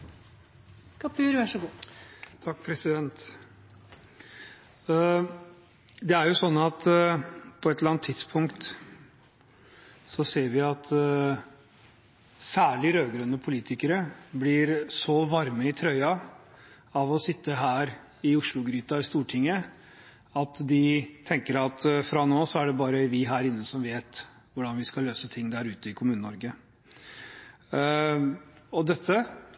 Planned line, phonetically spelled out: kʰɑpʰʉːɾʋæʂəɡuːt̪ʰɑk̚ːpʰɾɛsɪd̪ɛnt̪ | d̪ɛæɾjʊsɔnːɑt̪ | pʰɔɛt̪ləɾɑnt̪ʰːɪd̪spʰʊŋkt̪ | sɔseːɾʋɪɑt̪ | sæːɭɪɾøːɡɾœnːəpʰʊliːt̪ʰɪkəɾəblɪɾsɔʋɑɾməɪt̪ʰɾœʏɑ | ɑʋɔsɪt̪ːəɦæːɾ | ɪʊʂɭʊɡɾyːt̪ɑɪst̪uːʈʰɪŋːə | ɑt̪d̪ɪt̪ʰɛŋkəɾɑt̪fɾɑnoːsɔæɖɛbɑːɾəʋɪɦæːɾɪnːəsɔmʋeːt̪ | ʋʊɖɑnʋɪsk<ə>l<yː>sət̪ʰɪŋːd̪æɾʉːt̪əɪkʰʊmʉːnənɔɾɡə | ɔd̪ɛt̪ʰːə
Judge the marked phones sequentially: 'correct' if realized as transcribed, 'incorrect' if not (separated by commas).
incorrect, incorrect